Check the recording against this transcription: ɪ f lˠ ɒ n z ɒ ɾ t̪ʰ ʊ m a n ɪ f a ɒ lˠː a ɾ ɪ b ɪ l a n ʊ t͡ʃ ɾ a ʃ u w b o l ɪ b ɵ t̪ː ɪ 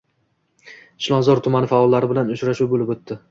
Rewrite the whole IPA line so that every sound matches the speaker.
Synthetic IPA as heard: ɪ ʃ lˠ ɒ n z ɒ ɾ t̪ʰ ʊ m a n ɪ f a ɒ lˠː a ɾ ɪ b ɪ l a n ʊ t͡ʃ ɾ a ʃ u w b o l ɪ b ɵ t̪ː ɪ